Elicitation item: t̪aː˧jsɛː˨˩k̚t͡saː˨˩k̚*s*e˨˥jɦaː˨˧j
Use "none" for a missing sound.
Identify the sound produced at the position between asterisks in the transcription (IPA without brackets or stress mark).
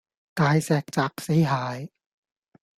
s